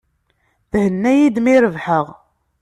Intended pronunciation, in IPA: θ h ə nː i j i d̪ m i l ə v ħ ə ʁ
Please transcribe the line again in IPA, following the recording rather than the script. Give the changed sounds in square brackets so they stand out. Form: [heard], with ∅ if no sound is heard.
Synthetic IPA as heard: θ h ə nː [æ] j i d̪ m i [ɾ] ə v ħ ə ʁ